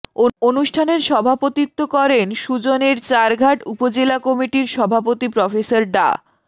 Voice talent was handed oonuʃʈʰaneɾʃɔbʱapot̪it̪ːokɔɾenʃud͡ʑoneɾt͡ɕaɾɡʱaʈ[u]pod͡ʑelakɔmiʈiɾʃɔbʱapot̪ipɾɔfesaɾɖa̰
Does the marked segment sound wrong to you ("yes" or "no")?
no